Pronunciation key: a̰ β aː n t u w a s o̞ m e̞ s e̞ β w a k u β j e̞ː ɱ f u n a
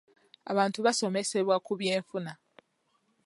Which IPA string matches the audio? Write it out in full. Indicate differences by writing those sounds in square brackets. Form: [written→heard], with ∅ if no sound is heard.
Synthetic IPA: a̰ β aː n t u [w→β] a s o̞ m e̞ s e̞ β w a k u β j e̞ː ɱ f u n a